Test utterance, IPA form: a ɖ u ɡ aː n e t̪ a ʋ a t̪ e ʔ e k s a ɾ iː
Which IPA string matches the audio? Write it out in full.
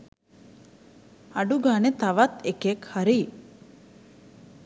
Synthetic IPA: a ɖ u ɡ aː n e t̪ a ʋ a t̪ e k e k h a ɾ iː